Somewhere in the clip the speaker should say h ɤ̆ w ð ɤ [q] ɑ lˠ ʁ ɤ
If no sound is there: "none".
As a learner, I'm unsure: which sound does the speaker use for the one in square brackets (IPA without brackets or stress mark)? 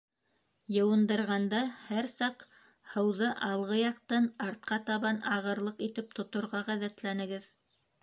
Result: ʔ